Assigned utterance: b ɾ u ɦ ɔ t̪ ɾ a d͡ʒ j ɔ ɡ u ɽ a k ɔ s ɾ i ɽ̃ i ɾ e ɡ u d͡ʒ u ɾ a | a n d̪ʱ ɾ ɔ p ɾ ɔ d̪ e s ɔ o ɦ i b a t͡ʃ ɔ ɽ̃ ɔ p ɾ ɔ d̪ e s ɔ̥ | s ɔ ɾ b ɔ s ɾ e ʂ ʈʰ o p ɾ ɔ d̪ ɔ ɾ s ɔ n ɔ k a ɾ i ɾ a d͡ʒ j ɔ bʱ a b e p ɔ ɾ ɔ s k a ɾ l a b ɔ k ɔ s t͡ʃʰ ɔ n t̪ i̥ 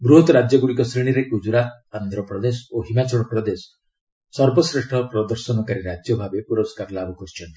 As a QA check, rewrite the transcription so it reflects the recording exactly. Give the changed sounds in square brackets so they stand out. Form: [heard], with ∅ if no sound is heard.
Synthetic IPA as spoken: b ɾ u ɦ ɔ t̪ ɾ a d͡ʒ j ɔ ɡ u ɽ [i] k ɔ s ɾ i ɽ̃ i ɾ e [k] u d͡ʒ u ɾ a | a n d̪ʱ ɾ ɔ p ɾ ɔ d̪ e s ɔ o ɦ i [m] a t͡ʃ ɔ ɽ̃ ɔ p ɾ ɔ d̪ e s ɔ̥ | s ɔ ɾ b ɔ s ɾ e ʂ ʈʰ [ɔ] p ɾ ɔ d̪ ɔ ɾ s ɔ n ɔ k a ɾ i ɾ a d͡ʒ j ɔ bʱ a b e p [u] ɾ ɔ s k a ɾ l a b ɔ k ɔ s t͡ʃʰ ɔ n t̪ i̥